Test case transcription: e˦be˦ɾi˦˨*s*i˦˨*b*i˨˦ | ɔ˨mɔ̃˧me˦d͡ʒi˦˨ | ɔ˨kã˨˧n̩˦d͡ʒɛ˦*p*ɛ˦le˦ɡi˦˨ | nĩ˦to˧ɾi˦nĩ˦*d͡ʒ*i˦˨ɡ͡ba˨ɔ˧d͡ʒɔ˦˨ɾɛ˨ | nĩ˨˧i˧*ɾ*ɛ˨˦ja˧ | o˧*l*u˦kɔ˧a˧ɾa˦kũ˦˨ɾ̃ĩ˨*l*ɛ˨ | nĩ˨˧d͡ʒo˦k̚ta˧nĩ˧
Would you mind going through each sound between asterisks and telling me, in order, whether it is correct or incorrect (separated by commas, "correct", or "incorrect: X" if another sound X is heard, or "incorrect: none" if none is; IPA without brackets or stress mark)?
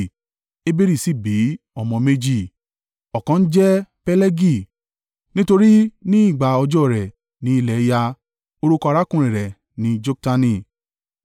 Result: correct, correct, correct, incorrect: none, incorrect: l, incorrect: ɾ, incorrect: ɾ